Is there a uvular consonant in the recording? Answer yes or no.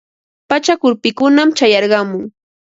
yes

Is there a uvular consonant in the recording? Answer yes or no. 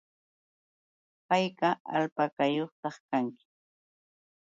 yes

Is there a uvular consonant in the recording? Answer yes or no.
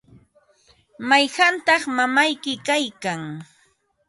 yes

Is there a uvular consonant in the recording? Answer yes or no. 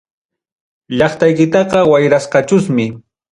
yes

